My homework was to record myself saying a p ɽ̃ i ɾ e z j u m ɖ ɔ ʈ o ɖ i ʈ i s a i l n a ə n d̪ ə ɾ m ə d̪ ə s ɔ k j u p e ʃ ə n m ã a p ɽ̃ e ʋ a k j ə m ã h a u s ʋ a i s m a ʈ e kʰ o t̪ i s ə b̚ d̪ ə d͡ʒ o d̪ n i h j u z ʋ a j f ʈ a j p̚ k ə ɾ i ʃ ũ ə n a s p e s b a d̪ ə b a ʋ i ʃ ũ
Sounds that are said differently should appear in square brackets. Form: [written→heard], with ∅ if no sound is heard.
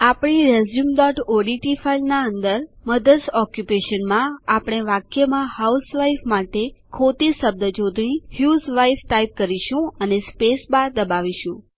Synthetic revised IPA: a p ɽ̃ i ɾ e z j u m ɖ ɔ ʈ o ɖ i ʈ i [s→f] a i l n a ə n d̪ ə ɾ m ə d̪ ə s ɔ k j u p e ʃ ə n m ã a p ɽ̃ e ʋ a k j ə m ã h a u s ʋ a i [s→f] m a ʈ e kʰ o t̪ i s ə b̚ d̪ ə d͡ʒ o d̪ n i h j u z ʋ a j f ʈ a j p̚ k ə ɾ i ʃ ũ ə n [a→e] s p e s b a d̪ ə b a ʋ i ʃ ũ